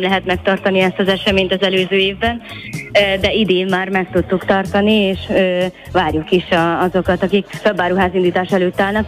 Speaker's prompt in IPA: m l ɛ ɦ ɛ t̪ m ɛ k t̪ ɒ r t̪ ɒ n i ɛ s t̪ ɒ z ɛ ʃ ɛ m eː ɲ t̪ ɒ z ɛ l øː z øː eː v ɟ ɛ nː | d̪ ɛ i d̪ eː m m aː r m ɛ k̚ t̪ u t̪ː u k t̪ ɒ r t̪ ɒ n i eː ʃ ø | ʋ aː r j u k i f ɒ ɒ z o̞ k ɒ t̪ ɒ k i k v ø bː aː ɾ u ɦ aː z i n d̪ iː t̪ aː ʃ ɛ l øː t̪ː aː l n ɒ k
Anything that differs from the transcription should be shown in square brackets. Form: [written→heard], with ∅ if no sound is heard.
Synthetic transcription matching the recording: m l ɛ ɦ ɛ t̪ m ɛ k t̪ ɒ r t̪ ɒ n i ɛ s t̪ ɒ z ɛ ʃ ɛ m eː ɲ t̪ ɒ z ɛ l øː z øː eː v [ɟ→b] ɛ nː | d̪ ɛ i d̪ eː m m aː r m ɛ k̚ t̪ u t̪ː u k t̪ ɒ r t̪ ɒ n i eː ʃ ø | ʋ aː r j u k i [f→ʃ] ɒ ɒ z o̞ k ɒ t̪ ɒ k i k [v→f] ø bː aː ɾ u ɦ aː z i n d̪ iː t̪ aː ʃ ɛ l øː t̪ː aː l n ɒ k